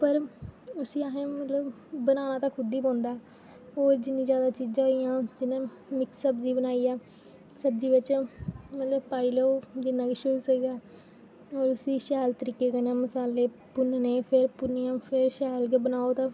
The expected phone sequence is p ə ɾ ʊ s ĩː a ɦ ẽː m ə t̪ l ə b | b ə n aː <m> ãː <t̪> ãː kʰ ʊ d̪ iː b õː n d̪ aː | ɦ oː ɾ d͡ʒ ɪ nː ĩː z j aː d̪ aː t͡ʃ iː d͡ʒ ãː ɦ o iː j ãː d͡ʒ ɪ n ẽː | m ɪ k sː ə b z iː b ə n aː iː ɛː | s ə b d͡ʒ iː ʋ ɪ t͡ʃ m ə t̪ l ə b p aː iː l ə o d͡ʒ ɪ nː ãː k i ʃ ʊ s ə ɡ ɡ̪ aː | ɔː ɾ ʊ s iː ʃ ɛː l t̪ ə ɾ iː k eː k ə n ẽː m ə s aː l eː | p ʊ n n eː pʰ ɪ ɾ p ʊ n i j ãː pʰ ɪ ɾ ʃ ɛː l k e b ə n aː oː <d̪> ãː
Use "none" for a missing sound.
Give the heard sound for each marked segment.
n, t̪, t̪

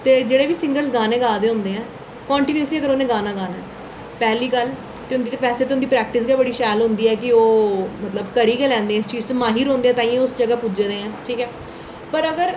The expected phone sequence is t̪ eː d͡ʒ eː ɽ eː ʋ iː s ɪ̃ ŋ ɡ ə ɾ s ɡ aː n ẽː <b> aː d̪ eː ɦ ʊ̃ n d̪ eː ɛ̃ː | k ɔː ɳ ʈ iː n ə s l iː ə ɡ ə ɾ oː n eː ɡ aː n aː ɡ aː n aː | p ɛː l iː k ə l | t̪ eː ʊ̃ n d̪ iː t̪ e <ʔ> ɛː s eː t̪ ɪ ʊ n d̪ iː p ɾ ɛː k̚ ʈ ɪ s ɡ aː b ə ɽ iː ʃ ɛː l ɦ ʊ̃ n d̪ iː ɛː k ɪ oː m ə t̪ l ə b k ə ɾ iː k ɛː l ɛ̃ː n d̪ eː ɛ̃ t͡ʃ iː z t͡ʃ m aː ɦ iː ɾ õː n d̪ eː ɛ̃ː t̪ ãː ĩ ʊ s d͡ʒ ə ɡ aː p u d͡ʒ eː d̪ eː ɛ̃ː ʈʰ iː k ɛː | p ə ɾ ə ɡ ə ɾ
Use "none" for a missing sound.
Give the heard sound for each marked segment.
ɡ, p

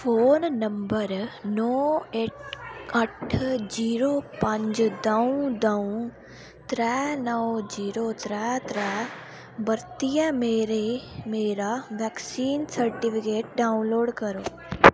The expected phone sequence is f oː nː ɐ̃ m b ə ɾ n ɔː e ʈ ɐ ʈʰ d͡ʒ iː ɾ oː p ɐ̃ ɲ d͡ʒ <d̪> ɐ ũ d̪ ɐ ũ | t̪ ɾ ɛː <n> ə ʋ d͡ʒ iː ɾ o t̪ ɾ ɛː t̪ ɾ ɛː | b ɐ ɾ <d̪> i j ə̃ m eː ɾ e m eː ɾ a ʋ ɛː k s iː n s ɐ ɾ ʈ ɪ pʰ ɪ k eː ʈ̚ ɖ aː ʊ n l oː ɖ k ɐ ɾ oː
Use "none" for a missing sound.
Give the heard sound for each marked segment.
d̪, n, t̪

